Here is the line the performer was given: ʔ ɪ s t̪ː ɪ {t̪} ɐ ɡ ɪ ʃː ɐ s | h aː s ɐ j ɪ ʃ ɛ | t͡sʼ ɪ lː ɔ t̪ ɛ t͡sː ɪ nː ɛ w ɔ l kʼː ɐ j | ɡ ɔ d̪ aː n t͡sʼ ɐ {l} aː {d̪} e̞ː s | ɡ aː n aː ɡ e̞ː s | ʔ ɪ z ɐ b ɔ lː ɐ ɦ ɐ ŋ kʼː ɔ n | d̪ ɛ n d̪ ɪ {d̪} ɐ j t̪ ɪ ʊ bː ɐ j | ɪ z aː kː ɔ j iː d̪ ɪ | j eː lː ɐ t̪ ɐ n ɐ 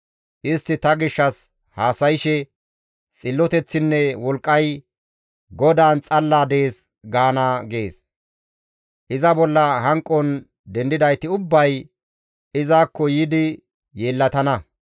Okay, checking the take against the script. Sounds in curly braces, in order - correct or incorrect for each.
correct, incorrect, correct, correct

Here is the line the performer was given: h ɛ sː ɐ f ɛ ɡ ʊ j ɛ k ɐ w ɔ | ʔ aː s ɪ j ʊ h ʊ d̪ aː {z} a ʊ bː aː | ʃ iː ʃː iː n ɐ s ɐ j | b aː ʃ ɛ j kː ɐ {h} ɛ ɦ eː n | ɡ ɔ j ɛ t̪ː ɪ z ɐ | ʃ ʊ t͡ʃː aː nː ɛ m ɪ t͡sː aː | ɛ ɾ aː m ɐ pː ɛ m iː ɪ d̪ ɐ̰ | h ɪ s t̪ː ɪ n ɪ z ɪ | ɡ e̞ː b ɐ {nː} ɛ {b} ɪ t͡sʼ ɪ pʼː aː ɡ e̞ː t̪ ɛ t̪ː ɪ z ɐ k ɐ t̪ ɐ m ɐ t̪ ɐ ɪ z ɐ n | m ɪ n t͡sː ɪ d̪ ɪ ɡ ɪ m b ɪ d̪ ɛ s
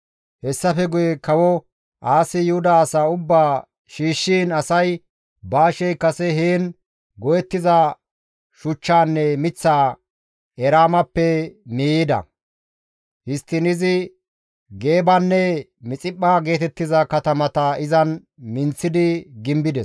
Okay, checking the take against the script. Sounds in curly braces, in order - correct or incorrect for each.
incorrect, incorrect, correct, incorrect

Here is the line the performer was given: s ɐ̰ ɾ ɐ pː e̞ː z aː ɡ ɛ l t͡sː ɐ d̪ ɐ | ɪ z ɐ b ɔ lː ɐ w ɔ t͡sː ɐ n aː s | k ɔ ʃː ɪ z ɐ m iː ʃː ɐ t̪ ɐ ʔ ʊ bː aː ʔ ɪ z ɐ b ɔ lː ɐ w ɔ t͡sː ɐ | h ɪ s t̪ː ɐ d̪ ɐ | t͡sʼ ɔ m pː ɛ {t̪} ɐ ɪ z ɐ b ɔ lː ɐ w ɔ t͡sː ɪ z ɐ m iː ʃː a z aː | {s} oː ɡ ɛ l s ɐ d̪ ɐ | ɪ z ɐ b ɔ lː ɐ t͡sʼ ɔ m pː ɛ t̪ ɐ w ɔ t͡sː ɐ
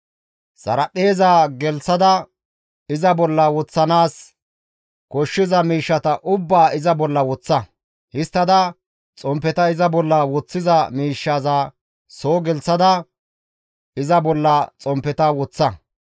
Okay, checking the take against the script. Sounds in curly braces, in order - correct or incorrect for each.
correct, correct

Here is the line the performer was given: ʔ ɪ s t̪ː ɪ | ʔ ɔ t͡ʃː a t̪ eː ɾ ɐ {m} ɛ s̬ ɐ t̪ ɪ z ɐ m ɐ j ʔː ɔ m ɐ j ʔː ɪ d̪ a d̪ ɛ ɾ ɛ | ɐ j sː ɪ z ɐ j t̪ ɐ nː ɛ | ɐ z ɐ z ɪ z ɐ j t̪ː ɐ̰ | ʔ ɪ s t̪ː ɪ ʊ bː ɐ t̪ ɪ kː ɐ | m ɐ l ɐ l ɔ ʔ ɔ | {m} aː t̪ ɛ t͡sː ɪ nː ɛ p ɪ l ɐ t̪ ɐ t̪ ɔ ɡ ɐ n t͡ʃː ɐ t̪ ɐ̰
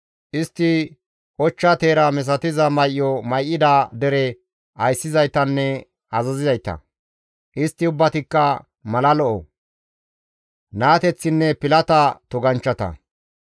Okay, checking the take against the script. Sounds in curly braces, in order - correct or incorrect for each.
correct, incorrect

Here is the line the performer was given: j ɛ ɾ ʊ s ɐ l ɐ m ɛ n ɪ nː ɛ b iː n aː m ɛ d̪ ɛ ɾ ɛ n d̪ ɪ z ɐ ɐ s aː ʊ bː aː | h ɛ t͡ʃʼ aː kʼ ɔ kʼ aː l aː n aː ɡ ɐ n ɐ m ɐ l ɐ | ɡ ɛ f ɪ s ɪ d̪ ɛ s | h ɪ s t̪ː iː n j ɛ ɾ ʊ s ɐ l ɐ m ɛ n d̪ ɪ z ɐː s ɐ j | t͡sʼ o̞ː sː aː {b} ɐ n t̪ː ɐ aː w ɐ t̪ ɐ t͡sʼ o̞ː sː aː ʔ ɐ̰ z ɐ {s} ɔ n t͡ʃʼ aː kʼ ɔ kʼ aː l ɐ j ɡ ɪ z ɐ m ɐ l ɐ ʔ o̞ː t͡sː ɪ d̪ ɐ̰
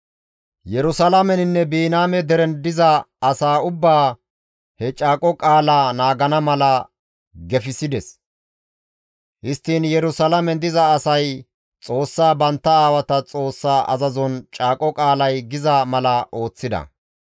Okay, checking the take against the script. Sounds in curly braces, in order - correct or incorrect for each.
correct, incorrect

